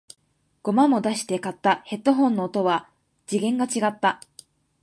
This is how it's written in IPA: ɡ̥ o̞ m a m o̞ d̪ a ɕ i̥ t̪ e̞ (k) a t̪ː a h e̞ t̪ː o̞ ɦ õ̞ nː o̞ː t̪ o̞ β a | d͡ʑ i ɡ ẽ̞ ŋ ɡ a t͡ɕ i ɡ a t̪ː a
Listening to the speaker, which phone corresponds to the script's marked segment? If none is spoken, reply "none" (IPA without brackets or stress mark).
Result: k